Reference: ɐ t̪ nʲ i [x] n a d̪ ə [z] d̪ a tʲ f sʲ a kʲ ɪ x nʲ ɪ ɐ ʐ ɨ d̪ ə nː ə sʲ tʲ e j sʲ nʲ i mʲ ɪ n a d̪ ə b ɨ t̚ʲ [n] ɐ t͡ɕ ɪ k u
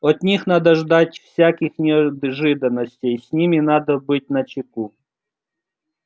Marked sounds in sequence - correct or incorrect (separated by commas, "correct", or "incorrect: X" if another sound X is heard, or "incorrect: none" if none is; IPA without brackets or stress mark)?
correct, incorrect: ʐ, correct